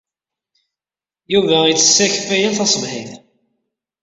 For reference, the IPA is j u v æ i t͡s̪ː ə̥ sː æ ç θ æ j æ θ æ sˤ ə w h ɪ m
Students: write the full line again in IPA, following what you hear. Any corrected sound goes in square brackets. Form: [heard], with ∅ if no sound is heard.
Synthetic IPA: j u v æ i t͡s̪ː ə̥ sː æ ç [f] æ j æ θ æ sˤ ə [v] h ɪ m